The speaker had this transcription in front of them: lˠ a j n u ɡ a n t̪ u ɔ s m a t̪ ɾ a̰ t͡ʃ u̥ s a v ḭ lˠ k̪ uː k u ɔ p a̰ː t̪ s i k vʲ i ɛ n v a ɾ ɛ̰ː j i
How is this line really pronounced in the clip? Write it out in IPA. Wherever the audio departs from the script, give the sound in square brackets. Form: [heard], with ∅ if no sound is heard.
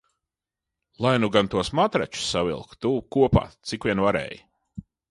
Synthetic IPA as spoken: lˠ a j n u ɡ a n t̪ u ɔ s m a t̪ ɾ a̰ t͡ʃ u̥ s a v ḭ lˠ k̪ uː k u ɔ p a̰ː t̪ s i k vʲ i ɛ n v a ɾ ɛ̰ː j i